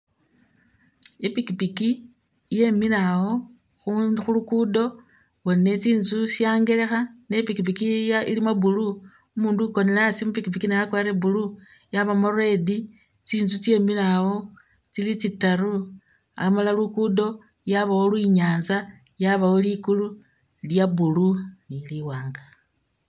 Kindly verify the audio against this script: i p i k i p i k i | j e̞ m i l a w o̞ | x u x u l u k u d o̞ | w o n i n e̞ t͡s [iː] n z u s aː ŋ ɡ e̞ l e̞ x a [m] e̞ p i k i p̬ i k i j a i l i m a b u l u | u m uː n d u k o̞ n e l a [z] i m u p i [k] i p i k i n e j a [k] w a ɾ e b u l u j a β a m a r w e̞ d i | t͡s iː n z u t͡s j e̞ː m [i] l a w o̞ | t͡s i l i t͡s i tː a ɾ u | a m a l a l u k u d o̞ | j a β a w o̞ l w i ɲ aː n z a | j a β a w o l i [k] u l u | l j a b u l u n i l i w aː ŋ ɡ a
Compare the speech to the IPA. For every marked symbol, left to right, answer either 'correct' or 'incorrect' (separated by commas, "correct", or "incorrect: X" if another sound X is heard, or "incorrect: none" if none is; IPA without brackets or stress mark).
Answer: correct, incorrect: n, incorrect: s, correct, correct, correct, correct